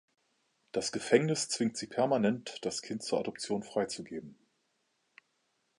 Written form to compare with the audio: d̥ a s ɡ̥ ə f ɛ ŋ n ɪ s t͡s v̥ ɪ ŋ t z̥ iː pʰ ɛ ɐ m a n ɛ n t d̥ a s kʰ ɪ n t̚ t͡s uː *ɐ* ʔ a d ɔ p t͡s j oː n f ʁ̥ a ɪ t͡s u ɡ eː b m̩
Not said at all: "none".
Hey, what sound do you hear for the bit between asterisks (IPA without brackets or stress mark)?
ɐ